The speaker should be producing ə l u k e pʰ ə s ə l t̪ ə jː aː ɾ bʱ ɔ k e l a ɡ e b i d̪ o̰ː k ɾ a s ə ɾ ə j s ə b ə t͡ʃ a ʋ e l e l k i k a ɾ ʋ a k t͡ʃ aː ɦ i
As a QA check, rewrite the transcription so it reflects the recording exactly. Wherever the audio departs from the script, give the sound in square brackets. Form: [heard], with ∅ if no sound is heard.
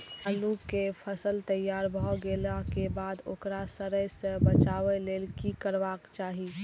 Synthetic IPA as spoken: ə l u k e pʰ ə s ə l t̪ ə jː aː ɾ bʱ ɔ [ɡ] e l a [k] e b [a] d̪ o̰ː k ɾ a s ə ɾ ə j s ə b ə t͡ʃ a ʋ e l e l k i k [ə] ɾ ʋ a k t͡ʃ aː ɦ i